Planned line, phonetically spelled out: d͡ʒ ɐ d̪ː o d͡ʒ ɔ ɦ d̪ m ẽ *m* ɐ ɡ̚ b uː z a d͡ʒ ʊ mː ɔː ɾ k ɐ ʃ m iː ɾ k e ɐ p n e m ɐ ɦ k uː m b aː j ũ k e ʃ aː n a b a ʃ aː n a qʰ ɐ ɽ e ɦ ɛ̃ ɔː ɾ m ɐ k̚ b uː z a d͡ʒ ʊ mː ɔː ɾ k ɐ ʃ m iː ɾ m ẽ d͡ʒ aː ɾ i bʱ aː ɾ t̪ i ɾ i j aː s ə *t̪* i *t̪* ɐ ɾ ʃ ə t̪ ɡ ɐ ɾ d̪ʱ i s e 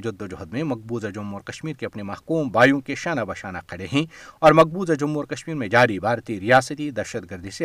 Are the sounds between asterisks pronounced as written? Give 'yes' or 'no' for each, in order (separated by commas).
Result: yes, yes, no